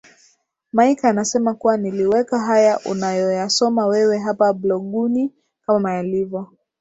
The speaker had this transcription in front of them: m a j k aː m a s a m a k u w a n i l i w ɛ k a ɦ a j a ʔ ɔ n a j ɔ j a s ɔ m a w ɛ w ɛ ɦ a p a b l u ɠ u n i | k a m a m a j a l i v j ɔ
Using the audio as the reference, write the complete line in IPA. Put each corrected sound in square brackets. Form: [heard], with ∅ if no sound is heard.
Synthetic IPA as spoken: m a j k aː [n] a s [ɛ] m a k u w a n i l i w ɛ k a ɦ a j a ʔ [u] n a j ɔ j a s ɔ m a w ɛ w ɛ ɦ a p a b l [ɔ] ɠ u n i | k a m a m a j a l i v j ɔ